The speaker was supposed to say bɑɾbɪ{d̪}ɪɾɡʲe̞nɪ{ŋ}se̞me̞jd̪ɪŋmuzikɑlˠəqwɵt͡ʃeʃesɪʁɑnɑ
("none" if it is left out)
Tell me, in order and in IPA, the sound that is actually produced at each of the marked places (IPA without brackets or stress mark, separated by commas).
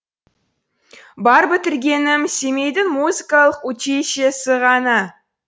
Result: t̪, m